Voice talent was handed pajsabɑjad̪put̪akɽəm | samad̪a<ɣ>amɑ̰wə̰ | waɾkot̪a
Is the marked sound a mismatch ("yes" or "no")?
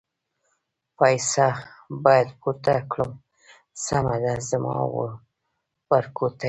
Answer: yes